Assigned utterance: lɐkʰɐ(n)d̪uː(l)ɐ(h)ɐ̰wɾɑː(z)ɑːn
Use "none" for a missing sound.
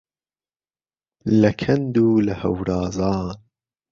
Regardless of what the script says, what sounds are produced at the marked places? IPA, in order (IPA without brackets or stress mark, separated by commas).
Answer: n, l, h, z